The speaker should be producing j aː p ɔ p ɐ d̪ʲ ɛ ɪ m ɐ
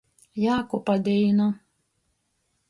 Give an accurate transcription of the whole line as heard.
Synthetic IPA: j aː k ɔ p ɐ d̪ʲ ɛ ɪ n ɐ

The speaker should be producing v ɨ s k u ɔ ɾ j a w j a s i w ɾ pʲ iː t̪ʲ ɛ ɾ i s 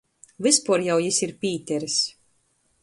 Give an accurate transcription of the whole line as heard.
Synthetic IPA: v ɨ s p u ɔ ɾ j a w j i s i ɾ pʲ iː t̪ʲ ɛ ɾ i s

